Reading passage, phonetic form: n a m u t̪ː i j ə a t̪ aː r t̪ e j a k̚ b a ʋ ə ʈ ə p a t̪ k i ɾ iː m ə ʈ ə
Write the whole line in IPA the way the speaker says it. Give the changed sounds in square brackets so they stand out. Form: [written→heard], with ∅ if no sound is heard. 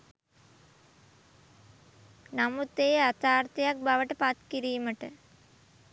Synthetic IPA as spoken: n a m u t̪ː [i→e] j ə a t̪ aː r t̪ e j a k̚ b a ʋ ə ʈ ə p a t̪ k i ɾ iː m ə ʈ ə